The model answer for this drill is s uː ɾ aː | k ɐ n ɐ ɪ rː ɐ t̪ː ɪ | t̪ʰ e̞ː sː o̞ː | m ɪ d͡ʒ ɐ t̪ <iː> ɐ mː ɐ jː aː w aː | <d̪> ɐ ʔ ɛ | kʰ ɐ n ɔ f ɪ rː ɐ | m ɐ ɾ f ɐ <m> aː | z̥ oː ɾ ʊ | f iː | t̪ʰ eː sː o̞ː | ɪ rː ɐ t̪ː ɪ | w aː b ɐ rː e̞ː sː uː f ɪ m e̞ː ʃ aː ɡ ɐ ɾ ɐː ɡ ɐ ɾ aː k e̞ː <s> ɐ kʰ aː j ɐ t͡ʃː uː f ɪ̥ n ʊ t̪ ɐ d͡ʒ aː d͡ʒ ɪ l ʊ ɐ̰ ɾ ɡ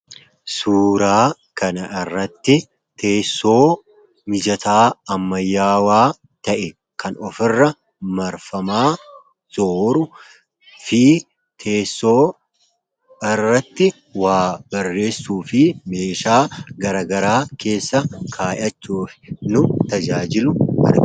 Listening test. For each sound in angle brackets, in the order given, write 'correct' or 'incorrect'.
incorrect: aː, incorrect: t̪, correct, incorrect: sː

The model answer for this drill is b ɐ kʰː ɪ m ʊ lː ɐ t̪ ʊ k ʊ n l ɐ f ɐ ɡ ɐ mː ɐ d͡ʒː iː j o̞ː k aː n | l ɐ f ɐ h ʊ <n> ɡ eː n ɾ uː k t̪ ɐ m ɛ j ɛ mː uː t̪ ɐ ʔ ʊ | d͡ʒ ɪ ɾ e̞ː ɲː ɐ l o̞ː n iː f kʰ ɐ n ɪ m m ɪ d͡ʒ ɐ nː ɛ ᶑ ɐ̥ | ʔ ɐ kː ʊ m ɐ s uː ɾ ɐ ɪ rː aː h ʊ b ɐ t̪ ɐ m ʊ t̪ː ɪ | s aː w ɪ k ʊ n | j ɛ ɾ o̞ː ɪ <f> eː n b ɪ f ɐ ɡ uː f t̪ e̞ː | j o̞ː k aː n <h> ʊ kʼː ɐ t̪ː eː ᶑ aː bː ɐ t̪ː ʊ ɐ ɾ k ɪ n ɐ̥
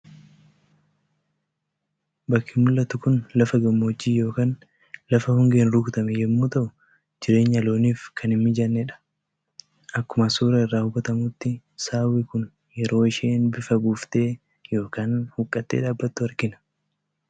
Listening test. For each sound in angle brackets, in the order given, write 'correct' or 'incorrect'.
incorrect: ŋ, incorrect: ʃ, correct

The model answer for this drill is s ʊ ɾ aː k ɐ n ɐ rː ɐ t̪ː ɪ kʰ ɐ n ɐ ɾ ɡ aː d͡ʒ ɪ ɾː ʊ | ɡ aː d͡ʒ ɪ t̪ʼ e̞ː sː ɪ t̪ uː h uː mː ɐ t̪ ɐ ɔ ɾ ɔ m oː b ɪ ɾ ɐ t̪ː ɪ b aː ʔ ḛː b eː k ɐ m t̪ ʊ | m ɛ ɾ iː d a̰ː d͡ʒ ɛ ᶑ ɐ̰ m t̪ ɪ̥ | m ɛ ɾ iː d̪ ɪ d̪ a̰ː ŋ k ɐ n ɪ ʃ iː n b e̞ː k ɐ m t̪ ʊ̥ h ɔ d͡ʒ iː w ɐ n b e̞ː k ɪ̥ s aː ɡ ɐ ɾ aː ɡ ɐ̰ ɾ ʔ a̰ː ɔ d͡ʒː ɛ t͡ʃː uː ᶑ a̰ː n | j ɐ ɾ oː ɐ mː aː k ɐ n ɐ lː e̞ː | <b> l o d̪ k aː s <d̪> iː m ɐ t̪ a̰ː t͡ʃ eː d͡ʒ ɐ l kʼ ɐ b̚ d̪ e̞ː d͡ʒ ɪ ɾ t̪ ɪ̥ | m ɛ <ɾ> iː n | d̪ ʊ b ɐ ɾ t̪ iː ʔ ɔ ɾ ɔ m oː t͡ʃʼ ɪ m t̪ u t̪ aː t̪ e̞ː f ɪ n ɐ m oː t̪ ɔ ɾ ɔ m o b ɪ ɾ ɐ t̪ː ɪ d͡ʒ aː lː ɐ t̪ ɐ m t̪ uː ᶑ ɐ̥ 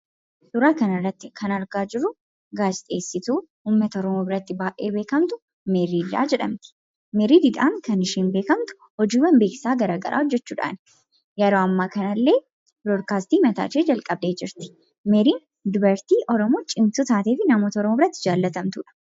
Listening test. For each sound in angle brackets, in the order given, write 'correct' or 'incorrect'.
correct, incorrect: t̪, correct

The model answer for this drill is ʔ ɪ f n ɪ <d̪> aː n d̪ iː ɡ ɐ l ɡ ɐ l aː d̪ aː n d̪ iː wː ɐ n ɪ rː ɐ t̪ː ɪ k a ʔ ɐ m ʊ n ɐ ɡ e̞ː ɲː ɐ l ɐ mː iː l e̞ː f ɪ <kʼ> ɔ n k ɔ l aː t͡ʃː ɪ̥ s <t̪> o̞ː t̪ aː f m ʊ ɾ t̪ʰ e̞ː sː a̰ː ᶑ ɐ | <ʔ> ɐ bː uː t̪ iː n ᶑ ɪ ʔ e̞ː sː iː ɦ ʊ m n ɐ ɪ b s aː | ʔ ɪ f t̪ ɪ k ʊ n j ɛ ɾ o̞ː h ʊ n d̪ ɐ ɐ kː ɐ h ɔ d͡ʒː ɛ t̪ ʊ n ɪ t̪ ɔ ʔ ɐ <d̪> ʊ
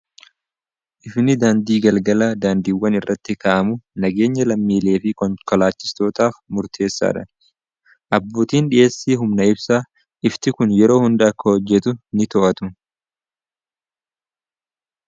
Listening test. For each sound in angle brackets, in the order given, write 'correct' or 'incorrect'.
correct, incorrect: k, correct, correct, incorrect: t̪

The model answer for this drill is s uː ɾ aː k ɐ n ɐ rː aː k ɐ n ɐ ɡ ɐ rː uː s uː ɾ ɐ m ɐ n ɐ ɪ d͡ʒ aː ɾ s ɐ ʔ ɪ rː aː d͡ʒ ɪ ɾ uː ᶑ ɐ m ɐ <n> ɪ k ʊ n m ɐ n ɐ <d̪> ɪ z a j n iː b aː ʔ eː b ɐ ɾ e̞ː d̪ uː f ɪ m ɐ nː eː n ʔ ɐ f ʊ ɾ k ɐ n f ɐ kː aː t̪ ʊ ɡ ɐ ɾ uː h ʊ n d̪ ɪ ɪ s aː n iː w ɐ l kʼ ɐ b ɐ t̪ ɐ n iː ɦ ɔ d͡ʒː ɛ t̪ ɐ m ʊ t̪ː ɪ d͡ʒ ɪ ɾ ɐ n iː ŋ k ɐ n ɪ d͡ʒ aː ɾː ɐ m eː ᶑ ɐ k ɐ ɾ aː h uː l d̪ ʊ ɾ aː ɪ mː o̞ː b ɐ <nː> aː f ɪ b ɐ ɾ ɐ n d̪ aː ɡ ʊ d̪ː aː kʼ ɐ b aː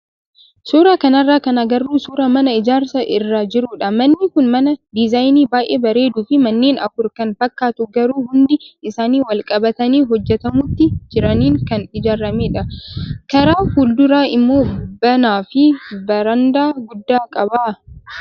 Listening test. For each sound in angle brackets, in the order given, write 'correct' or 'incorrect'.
incorrect: nː, correct, incorrect: n

